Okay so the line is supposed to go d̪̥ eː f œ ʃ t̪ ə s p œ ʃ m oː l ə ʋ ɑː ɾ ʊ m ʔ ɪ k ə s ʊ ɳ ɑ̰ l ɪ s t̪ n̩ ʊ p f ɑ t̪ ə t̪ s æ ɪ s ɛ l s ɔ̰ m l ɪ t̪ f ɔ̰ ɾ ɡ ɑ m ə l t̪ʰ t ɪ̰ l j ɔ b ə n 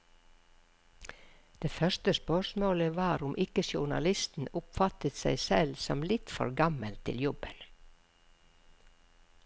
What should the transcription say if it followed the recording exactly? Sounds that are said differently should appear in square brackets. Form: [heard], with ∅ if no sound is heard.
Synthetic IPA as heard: d̪̥ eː f œ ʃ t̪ ə s p œ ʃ m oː l ə ʋ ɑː ɾ ʊ m ʔ ɪ k ə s ʊ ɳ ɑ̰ l ɪ s t̪ n̩ ʊ p f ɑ t̪ ə t̪ s æ ɪ s ɛ l s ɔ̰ m l ɪ t̪ f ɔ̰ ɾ ɡ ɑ m ə l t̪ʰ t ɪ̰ l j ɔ b ə n